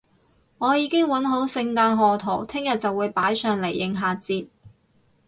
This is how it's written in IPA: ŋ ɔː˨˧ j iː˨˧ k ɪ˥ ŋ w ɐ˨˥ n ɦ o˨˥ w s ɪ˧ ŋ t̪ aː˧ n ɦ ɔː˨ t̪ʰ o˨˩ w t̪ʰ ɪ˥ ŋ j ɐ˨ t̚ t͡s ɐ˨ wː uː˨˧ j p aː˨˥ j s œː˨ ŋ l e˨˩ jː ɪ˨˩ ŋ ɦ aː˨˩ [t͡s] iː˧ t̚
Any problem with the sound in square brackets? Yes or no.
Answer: no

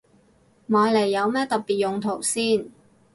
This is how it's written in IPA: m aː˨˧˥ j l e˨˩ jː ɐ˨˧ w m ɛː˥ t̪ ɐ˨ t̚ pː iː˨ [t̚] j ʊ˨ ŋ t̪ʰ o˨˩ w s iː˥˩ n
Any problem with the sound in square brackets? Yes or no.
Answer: no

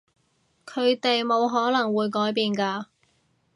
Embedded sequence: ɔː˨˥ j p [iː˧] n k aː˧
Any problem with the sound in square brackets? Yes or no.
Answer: no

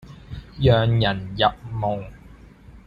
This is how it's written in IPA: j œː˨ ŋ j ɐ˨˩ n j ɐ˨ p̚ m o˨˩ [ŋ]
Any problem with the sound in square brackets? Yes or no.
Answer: no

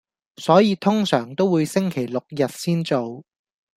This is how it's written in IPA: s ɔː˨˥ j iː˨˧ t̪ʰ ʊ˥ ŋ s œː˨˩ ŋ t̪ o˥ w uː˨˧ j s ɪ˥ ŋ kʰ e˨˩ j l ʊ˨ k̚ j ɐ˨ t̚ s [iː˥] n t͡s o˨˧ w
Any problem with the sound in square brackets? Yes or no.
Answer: no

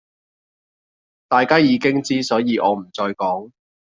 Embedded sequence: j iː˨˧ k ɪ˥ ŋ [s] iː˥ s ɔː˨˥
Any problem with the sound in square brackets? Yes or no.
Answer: yes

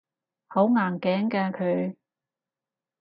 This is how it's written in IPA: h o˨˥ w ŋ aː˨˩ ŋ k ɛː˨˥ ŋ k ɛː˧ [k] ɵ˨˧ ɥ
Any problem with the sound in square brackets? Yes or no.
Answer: yes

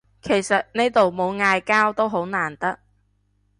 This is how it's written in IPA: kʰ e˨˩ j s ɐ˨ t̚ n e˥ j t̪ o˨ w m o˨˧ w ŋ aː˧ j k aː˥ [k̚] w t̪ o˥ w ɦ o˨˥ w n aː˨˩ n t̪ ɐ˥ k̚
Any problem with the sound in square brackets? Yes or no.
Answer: yes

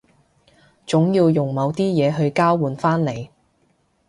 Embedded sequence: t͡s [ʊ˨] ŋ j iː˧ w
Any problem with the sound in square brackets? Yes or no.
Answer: yes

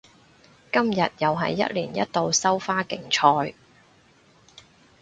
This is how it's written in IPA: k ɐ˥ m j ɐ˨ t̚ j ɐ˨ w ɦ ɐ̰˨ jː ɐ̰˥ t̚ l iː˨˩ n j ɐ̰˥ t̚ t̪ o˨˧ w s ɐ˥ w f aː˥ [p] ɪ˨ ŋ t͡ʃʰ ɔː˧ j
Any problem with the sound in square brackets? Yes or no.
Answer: yes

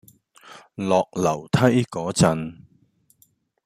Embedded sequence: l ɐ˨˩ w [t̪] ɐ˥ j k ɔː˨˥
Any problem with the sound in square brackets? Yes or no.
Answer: yes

